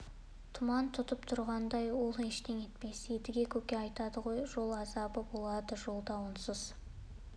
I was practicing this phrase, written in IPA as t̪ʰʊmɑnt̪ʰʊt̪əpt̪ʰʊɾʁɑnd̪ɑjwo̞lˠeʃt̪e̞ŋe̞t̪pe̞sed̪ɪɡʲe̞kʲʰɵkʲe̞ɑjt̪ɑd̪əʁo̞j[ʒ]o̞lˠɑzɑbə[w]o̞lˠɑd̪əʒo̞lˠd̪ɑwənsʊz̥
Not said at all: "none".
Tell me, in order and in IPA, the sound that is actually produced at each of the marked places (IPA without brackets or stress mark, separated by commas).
ʒ, b